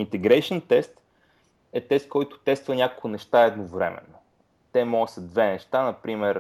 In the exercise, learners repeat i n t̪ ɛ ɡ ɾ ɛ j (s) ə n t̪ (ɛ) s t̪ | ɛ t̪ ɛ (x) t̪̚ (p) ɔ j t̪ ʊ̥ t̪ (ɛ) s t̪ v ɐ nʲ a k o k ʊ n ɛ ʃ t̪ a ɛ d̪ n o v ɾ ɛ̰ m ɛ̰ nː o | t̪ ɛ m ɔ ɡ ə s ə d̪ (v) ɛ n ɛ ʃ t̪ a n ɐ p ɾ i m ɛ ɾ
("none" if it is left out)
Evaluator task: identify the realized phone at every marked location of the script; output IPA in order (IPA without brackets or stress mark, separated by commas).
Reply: ʃ, ɛ, s, k, ɛ, v